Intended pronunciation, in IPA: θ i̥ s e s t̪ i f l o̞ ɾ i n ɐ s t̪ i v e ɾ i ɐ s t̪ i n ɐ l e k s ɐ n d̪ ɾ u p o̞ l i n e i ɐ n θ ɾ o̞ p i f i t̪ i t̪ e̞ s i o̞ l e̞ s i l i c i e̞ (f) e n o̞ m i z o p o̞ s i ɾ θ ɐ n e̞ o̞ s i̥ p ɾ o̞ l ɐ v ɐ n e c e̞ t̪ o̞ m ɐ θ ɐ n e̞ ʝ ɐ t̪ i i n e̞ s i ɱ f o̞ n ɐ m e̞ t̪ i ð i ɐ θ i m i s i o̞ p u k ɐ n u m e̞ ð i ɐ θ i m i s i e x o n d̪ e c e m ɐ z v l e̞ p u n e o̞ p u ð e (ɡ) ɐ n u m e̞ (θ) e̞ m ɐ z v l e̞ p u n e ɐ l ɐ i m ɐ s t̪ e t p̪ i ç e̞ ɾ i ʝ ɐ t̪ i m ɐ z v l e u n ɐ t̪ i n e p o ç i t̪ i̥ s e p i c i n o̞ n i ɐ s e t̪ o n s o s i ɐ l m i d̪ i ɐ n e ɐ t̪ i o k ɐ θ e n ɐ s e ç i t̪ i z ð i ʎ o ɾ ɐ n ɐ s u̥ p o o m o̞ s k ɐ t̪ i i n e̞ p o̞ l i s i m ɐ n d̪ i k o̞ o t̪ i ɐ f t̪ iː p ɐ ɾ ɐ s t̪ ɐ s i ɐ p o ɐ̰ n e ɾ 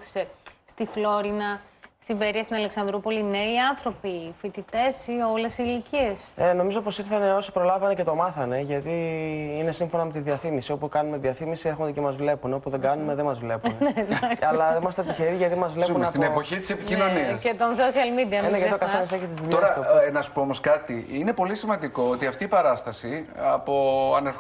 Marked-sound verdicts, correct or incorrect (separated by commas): incorrect, correct, incorrect